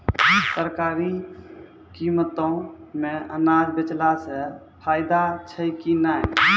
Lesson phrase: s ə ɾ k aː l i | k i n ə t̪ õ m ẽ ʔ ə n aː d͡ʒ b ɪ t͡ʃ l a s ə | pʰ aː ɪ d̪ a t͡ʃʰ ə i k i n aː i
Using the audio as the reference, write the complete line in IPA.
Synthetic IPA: s ə ɾ k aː ɾ i | k i m ə t̪ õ m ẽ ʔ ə n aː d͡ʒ b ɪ t͡ʃ l a s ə | pʰ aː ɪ d̪ a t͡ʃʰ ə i k i n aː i